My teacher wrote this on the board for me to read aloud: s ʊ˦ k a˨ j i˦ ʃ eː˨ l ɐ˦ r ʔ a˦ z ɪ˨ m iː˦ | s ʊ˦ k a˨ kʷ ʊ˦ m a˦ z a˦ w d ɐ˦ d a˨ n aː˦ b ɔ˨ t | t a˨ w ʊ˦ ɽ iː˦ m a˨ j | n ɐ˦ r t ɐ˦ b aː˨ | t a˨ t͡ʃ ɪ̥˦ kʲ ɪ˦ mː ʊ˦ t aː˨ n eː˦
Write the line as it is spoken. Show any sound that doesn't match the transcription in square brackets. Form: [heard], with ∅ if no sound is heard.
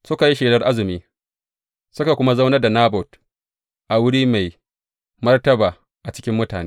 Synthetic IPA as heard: s ʊ˦ k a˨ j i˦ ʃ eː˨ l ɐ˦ r ʔ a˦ z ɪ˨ m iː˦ | s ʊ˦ k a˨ kʷ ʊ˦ m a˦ z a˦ w [n] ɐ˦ d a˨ n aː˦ b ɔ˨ t | [ʔ] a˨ w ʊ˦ ɽ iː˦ m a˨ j | [m] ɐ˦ r t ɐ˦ b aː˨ | [ʔ] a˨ t͡ʃ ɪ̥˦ kʲ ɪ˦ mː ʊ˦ t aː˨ n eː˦